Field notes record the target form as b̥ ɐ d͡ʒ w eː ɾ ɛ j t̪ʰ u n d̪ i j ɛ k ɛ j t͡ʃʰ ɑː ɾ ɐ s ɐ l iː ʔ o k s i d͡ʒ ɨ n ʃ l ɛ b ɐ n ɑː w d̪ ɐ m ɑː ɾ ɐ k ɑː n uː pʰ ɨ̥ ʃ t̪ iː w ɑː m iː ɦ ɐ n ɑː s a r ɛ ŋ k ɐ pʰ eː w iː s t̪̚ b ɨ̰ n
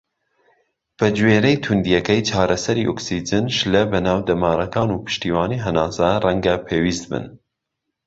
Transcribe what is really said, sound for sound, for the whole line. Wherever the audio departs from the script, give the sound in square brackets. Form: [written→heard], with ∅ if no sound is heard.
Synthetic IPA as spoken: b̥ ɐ d͡ʒ w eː ɾ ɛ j t̪ʰ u n d̪ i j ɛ k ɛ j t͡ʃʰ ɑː ɾ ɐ s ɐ [l→ɾ] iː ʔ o k s i d͡ʒ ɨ n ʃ l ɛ b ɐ n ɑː w d̪ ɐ m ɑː ɾ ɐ k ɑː n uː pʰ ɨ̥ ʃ t̪ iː w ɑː [m→n] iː ɦ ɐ n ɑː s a r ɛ ŋ [k→ɡ] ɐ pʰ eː w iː s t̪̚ b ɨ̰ n

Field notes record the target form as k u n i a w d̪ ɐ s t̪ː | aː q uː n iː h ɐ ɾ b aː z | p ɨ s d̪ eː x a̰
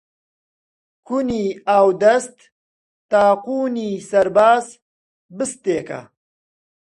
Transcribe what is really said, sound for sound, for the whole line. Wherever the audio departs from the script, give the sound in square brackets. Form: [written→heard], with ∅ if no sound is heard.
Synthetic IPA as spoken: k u n i a w d̪ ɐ s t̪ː | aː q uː n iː [h→s] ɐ ɾ b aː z | [p→b] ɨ s [d̪→t̪] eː [x→k] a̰

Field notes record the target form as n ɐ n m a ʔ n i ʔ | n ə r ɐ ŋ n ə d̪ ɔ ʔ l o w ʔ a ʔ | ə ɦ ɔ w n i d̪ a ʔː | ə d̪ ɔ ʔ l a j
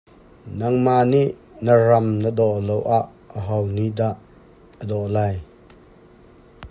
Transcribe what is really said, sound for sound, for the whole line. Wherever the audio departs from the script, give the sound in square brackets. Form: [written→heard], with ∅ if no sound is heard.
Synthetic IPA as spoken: n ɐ [n→ŋ] m a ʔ n i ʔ | n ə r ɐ [ŋ→m] n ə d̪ ɔ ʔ l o w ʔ a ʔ | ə ɦ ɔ w n i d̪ a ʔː | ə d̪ ɔ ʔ l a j

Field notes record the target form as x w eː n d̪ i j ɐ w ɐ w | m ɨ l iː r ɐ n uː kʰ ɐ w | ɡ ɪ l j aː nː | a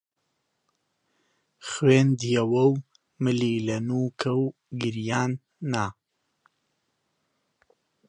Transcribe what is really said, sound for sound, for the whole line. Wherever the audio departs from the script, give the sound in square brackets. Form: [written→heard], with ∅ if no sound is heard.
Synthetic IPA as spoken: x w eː n d̪ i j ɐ w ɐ w | m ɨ l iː [r→l] ɐ n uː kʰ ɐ w | ɡ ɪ [l→ɾ] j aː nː | a

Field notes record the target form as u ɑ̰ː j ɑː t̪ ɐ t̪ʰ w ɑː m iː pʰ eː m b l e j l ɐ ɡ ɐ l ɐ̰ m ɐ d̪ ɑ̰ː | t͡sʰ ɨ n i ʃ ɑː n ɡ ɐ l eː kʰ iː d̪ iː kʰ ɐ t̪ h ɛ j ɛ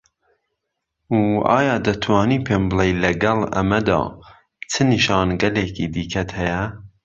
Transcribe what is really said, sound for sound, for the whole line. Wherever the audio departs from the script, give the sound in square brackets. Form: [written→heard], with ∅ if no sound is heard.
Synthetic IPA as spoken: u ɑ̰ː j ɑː [t̪→d̪] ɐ t̪ʰ w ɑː [m→n] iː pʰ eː m b l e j l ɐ ɡ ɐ l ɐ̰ m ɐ d̪ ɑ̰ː | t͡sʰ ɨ n i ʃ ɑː n ɡ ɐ l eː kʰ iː d̪ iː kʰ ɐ t̪ h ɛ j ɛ

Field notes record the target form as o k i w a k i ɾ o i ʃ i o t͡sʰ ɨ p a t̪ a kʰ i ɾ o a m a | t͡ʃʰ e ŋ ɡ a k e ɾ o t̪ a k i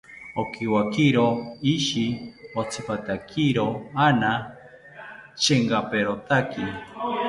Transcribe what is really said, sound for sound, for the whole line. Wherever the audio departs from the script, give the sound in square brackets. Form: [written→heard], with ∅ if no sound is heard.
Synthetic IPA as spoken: o k i w a k i ɾ o i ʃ i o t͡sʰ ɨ p a t̪ a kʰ i ɾ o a [m→n] a | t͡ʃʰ e ŋ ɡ a [k→p] e ɾ o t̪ a k i

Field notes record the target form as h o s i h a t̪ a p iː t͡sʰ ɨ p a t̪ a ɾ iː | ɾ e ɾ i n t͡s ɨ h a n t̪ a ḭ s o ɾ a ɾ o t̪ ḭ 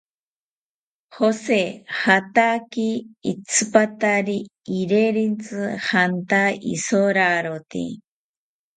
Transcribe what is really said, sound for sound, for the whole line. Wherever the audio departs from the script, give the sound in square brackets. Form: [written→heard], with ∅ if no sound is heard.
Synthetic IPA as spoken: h o s [i→e] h a t̪ a [p→k] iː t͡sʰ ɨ p a t̪ a ɾ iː | ɾ e ɾ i n t͡s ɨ h a n t̪ a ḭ s o ɾ a ɾ o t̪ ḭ

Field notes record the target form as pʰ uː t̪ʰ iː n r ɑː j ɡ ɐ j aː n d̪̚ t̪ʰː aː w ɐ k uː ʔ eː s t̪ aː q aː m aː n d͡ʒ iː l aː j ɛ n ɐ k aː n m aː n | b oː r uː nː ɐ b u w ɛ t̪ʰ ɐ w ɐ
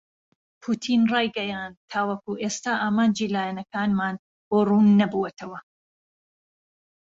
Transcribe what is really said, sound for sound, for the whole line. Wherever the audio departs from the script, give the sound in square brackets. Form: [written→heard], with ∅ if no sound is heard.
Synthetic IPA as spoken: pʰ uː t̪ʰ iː n r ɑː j ɡ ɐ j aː n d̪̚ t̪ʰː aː w ɐ k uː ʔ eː s t̪ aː [q→ʔ] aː m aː n d͡ʒ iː l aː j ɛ n ɐ k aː n m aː n | b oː r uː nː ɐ b u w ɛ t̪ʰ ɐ w ɐ

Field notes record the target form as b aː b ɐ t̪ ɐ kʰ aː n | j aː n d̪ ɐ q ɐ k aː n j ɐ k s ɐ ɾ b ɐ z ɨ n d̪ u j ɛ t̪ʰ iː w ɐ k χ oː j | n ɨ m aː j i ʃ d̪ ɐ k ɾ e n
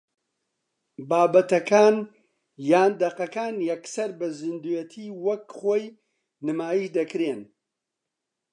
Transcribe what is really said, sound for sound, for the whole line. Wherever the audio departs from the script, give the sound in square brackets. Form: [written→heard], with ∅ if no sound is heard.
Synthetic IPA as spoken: b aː b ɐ t̪ ɐ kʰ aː n | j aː n d̪ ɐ q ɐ k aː n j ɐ k s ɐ ɾ b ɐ z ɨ n d̪ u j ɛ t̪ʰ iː w ɐ k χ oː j | n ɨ m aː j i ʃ d̪ ɐ k ɾ e n

